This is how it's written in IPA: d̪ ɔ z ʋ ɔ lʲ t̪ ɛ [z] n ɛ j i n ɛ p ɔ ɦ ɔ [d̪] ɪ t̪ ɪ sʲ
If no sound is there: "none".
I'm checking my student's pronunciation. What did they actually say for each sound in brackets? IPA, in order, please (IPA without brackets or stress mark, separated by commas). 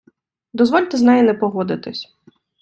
z, d̪